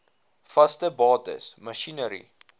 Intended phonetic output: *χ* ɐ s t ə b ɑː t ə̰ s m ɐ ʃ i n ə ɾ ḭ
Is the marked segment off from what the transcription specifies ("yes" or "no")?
yes